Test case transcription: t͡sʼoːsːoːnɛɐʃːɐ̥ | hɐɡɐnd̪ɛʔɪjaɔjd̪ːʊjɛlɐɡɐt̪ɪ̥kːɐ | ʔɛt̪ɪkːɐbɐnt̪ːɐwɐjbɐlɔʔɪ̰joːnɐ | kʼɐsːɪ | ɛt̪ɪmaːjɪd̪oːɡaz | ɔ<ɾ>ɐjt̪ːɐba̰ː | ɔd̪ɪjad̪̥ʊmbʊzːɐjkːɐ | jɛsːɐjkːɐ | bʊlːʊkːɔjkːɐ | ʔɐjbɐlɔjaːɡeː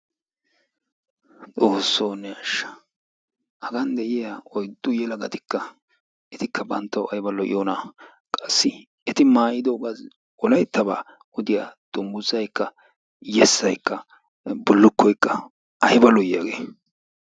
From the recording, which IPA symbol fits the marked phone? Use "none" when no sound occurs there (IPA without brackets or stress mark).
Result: l